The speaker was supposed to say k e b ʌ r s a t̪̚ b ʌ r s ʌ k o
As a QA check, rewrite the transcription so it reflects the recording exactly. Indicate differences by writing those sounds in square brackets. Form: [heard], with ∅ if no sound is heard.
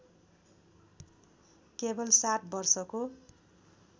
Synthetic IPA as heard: k e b ʌ [l] s a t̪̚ b ʌ r s ʌ k o